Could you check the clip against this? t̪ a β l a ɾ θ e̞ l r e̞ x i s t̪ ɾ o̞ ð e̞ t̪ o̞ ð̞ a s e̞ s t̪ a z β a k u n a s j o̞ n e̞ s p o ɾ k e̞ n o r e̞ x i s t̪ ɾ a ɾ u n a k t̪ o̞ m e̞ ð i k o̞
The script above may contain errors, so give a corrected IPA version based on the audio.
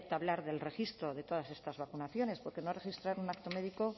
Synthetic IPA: t̪ a β l a ɾ ð e̞ l r e̞ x i s t̪ ɾ o̞ ð e̞ t̪ o̞ ð̞ a s e̞ s t̪ a z β a k u n a θ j o̞ n e̞ s p o ɾ k e̞ n o r e̞ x i s t̪ ɾ a ɾ u n a k t̪ o̞ m e̞ ð i k o̞